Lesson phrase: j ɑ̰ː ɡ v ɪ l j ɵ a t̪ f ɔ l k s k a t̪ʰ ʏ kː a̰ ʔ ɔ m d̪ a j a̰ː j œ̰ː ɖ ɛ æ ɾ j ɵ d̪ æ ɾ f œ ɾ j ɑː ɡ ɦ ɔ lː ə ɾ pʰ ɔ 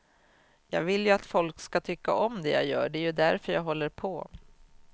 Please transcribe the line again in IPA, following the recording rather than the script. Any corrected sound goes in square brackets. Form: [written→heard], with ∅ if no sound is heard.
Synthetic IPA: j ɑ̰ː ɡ v ɪ l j ɵ a t̪ f ɔ l k s k a t̪ʰ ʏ kː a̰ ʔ ɔ m d̪ [a→ɛ] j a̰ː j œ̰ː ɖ ɛ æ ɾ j ɵ d̪ æ ɾ f œ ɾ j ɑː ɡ ɦ ɔ lː ə ɾ pʰ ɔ